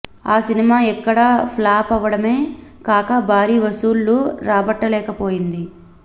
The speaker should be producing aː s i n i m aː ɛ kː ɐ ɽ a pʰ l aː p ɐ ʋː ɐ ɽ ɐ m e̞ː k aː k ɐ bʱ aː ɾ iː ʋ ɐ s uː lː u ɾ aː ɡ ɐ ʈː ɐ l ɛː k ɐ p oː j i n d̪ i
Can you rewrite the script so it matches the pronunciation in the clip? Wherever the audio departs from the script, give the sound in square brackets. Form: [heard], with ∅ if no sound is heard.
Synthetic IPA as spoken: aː s i n i m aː ɛ kː ɐ ɽ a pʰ l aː p ɐ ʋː ɐ ɽ ɐ m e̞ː k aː k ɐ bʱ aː ɾ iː ʋ ɐ s uː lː u ɾ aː [b] ɐ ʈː ɐ l ɛː k ɐ p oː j i n d̪ i